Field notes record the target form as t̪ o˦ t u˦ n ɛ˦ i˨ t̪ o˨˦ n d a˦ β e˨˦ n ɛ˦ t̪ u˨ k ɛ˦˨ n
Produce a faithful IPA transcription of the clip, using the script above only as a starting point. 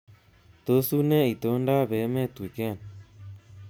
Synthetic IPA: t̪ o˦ s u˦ n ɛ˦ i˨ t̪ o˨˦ n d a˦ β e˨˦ m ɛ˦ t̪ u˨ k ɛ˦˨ n

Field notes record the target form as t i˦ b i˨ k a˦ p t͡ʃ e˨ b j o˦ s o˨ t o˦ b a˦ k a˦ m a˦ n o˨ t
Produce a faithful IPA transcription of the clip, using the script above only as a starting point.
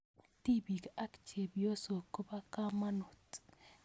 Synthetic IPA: t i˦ b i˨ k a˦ k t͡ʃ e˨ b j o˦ s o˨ k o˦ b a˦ k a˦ m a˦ n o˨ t

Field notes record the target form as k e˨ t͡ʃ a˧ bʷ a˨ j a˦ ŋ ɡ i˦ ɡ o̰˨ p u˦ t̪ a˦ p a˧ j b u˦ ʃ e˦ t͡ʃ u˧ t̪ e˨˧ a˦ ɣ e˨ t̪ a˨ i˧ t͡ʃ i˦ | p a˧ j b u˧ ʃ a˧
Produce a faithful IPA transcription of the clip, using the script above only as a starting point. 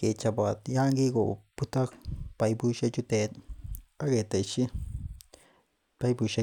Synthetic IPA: k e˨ t͡ʃ a˧ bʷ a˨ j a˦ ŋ ɡ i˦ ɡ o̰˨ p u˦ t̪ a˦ p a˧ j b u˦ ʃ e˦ t͡ʃ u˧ t̪ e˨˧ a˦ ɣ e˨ t̪ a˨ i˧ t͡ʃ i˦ | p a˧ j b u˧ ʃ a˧

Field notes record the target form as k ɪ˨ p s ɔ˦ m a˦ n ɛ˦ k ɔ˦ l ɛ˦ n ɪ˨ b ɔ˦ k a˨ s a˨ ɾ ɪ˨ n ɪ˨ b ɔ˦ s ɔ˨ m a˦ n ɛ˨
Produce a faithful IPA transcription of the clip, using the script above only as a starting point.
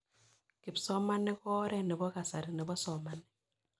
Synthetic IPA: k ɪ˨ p s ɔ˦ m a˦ n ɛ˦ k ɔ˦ ɾ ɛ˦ n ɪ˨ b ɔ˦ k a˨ s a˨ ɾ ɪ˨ n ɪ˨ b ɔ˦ s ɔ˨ m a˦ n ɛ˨

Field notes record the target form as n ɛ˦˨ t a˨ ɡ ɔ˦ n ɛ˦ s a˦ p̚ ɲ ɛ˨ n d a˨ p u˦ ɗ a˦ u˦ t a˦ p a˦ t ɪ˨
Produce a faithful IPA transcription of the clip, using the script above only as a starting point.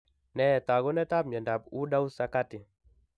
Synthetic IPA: n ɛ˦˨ t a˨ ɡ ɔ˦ n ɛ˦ t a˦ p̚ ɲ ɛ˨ n d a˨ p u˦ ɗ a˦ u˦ s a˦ k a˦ t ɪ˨

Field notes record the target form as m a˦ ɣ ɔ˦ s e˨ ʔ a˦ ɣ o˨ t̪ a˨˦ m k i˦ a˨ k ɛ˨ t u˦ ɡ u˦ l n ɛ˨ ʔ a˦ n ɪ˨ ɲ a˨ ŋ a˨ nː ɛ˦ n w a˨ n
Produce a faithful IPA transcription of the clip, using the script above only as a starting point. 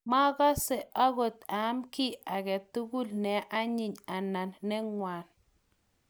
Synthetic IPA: m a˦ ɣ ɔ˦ s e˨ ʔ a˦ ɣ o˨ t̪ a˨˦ m k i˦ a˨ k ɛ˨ t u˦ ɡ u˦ l n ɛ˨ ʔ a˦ ɲ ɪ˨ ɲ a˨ n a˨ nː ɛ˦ ŋ w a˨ n

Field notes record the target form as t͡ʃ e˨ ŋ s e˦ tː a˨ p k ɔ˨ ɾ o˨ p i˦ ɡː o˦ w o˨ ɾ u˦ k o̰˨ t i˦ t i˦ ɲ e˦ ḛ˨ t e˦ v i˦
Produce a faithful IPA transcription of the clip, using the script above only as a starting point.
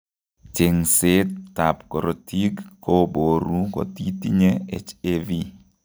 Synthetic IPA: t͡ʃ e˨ ŋ s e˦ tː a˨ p k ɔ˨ ɾ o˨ t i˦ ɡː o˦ b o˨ ɾ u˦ k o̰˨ t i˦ t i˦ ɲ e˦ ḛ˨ t͡ʃ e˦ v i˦

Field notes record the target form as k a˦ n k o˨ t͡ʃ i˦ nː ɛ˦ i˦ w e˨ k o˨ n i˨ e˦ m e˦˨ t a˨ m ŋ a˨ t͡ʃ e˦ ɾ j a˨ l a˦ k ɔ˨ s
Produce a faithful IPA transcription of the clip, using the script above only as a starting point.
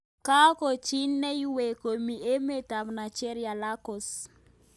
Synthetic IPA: k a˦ k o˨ t͡ʃ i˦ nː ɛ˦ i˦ w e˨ k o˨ m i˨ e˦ m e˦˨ t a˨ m n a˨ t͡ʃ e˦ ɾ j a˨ l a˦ k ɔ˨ s

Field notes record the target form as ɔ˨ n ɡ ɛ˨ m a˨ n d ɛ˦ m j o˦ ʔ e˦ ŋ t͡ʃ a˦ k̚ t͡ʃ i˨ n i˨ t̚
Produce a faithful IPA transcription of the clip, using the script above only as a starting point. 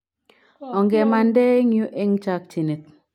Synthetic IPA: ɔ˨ ŋ ɡ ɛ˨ m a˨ n d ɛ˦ ŋ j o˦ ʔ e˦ ŋ t͡ʃ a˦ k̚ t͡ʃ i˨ n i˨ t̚

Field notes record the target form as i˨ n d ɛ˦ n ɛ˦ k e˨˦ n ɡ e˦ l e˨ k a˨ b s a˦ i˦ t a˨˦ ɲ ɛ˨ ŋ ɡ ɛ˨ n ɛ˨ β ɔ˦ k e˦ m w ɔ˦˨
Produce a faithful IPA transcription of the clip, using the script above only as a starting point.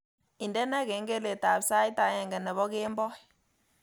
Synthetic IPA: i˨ n d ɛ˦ n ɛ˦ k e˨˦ ŋ ɡ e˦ l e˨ t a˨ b s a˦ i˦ t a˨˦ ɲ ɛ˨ ŋ ɡ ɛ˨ n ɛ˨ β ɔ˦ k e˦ m b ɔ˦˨

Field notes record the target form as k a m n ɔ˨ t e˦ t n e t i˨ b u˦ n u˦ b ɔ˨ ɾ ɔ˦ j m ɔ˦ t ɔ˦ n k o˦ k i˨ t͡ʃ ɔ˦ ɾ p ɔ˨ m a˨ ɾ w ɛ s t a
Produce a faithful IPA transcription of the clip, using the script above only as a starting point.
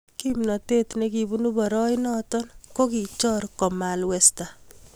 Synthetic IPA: k i m n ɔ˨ t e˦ t n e k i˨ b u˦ n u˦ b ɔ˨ ɾ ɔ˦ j n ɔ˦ t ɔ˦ n k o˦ k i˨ t͡ʃ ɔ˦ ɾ k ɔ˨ m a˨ l w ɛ s t a

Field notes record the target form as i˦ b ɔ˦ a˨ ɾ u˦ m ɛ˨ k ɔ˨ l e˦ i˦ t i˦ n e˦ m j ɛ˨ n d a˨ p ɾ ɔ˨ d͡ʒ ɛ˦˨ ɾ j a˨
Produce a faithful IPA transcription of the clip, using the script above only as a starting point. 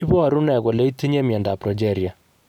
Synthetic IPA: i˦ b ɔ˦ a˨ ɾ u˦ n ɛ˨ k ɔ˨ l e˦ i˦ t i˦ ɲ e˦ m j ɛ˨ n d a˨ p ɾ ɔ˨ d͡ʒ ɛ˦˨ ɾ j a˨

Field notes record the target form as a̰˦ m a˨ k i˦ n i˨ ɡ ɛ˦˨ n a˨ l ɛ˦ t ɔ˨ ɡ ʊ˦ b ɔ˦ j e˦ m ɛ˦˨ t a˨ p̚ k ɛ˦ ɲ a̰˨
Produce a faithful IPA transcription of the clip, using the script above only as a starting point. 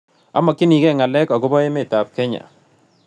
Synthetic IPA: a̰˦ m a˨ k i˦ n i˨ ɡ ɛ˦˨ ŋ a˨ l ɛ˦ k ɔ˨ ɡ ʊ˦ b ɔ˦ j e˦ m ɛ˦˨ t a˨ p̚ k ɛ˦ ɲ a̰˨

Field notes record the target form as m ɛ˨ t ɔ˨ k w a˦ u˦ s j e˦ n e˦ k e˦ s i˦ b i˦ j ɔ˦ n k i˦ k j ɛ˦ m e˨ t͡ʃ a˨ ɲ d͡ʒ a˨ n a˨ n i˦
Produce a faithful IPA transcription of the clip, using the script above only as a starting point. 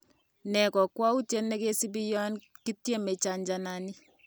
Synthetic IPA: n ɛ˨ k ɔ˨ k w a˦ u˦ t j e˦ n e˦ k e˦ s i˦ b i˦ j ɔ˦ n k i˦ t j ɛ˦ m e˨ t͡ʃ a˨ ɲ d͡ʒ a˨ n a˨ n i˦

